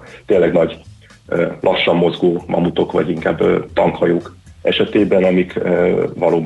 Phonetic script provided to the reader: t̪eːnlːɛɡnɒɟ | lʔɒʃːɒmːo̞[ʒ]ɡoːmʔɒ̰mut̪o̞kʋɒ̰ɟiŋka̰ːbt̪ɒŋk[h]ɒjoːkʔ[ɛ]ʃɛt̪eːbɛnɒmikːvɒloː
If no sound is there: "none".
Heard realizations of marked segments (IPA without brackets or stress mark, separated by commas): z, h, ɛ